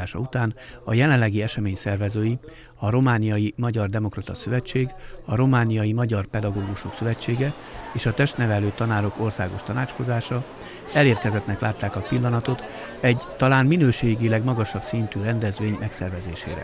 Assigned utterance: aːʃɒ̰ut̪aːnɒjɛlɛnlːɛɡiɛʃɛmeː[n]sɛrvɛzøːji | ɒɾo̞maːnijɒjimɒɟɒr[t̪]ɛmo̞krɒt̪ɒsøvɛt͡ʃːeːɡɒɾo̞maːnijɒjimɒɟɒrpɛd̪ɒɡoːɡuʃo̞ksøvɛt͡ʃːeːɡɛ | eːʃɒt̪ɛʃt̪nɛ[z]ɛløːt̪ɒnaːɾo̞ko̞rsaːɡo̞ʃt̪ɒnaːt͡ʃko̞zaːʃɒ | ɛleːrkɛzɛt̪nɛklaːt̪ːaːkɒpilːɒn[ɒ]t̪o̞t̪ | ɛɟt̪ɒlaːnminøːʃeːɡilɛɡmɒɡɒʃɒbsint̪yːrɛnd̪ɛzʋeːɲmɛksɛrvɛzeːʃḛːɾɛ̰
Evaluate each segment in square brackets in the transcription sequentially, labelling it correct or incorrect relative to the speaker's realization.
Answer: incorrect: ɲ, incorrect: d̪, incorrect: v, correct

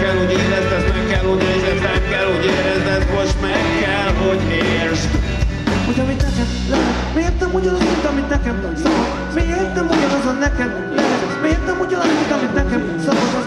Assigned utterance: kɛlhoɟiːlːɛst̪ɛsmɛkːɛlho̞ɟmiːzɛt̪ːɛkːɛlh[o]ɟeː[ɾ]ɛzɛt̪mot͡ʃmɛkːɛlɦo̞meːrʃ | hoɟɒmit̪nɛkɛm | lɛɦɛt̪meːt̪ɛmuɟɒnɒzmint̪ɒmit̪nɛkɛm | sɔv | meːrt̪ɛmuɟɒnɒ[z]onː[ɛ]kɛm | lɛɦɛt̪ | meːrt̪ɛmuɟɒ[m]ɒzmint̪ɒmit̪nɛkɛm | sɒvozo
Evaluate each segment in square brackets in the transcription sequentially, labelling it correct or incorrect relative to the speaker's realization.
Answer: correct, correct, correct, correct, incorrect: n

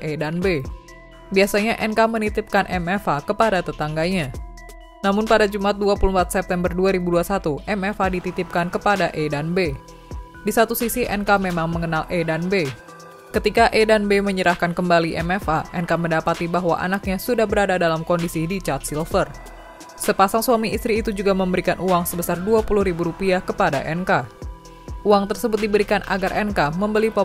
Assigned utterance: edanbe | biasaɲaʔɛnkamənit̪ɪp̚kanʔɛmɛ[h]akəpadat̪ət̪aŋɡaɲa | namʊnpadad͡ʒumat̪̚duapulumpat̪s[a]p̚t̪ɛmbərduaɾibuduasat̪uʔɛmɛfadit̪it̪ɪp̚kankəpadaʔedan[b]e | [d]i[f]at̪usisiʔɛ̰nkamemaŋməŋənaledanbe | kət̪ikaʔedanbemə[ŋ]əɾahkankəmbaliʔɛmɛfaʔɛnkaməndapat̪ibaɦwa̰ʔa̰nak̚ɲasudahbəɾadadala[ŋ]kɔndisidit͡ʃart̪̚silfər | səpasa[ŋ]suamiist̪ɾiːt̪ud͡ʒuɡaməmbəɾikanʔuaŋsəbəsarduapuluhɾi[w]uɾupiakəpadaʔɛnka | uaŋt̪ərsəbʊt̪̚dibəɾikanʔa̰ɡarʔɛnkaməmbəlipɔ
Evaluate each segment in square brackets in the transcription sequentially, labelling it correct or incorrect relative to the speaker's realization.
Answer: incorrect: f, incorrect: ɛ, correct, correct, incorrect: s, incorrect: ɲ, incorrect: m, correct, incorrect: b

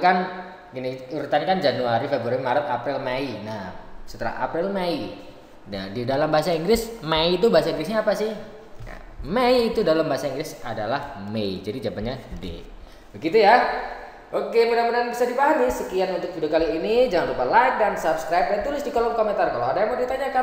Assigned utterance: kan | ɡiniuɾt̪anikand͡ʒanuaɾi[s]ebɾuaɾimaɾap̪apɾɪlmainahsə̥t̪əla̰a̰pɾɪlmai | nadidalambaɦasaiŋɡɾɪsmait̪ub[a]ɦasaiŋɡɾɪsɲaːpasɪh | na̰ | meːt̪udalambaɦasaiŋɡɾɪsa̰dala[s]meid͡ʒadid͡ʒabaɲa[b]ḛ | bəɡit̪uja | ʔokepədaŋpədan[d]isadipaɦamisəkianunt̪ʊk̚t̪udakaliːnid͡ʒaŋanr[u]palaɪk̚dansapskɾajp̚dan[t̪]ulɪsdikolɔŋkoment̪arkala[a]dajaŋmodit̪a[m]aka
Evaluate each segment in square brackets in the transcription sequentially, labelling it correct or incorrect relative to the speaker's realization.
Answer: incorrect: f, correct, incorrect: h, incorrect: d, incorrect: b, correct, correct, correct, incorrect: ɲ

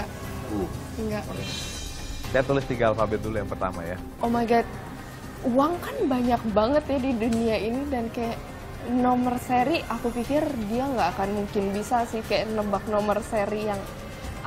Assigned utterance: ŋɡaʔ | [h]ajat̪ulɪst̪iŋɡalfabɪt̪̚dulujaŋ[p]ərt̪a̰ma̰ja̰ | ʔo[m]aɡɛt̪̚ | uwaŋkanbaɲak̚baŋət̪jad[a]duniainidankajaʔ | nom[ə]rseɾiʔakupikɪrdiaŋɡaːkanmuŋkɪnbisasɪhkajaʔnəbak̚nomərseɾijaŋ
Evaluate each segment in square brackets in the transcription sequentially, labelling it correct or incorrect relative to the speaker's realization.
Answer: incorrect: s, correct, correct, incorrect: i, correct

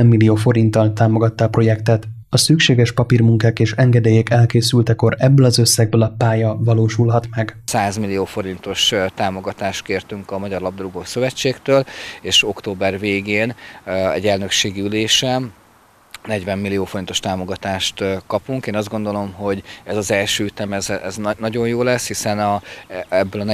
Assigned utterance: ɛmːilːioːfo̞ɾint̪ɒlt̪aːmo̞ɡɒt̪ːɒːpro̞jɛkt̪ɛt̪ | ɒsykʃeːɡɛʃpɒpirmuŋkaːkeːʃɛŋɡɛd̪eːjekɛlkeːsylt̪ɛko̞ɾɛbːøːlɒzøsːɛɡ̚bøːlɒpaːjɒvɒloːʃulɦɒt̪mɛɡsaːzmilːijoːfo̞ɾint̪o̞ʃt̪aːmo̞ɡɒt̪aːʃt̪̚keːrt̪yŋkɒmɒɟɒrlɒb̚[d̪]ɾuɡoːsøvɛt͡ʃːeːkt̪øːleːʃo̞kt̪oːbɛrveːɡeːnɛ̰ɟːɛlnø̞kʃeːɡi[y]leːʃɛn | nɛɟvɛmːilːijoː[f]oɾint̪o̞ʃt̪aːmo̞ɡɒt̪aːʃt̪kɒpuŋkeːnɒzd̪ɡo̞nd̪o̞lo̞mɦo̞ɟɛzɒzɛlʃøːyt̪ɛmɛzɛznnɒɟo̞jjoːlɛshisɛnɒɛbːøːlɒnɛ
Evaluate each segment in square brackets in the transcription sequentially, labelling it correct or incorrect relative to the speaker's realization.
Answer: correct, correct, correct

